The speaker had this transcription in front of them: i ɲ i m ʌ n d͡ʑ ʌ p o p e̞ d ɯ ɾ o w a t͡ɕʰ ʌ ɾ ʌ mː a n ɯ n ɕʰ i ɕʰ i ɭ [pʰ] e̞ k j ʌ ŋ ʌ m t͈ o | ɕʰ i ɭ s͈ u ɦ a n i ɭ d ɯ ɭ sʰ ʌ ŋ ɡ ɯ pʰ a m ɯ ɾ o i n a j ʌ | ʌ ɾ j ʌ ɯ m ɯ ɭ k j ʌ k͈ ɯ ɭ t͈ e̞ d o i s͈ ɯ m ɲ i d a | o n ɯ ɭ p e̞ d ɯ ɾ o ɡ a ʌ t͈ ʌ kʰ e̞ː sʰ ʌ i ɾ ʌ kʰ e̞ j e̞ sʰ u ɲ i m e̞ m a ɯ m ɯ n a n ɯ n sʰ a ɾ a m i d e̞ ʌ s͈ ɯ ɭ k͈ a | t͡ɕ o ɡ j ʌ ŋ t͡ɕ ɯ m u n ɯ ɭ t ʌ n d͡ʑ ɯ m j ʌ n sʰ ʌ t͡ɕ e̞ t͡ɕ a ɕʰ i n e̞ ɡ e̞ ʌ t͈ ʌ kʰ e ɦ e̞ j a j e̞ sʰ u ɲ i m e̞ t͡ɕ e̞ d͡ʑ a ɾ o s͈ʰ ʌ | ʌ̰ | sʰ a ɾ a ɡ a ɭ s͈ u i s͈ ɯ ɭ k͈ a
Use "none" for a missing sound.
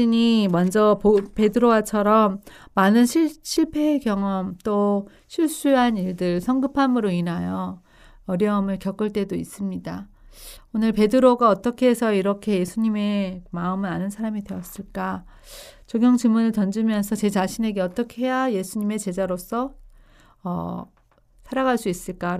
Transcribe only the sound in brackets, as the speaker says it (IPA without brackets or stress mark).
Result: pʰ